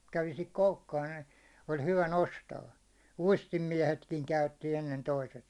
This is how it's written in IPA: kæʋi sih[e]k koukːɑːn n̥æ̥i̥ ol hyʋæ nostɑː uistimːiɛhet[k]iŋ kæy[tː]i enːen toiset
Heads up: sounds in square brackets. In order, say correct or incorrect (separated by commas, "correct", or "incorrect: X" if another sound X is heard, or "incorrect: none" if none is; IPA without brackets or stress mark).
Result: incorrect: i, correct, correct